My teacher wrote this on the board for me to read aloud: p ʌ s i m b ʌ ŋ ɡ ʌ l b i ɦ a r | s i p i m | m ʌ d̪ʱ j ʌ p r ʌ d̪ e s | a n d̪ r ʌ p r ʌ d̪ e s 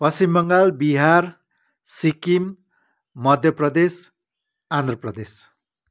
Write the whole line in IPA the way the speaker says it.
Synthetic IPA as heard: p ʌ s i m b ʌ ŋ ɡ a l b i ɦ a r | s i k i m | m ʌ d̪ʱ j ʌ p r ʌ d̪ e s | a n d̪ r ʌ p r ʌ d̪ e s